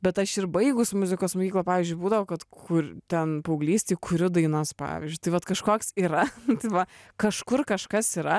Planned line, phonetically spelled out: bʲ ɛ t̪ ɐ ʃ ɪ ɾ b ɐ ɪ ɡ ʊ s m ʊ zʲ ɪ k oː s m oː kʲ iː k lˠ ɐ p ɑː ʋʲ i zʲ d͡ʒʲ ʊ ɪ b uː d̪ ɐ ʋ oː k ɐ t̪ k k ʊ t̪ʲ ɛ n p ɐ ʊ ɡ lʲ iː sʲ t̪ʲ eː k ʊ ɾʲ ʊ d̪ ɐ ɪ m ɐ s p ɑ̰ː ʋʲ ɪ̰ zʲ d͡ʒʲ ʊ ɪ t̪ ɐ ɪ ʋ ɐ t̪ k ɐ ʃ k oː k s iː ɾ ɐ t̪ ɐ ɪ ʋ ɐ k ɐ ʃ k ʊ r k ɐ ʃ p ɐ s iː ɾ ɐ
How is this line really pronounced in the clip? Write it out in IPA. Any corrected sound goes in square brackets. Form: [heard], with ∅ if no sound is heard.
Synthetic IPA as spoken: bʲ ɛ t̪ ɐ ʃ ɪ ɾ b ɐ ɪ ɡ ʊ s m ʊ zʲ ɪ k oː s m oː kʲ iː k lˠ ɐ p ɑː ʋʲ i zʲ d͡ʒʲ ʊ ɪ b uː d̪ ɐ ʋ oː k ɐ t̪ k k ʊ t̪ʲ ɛ n p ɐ ʊ ɡ lʲ iː sʲ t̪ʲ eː k ʊ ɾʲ ʊ d̪ ɐ ɪ [n] ɐ s p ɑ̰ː ʋʲ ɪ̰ zʲ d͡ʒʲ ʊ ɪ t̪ ɐ ɪ ʋ ɐ t̪ k ɐ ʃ k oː k s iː ɾ ɐ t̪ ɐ ɪ ʋ ɐ k ɐ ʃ k ʊ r k ɐ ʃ [k] ɐ s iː ɾ ɐ